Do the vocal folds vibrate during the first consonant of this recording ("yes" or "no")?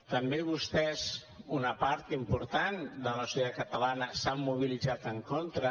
no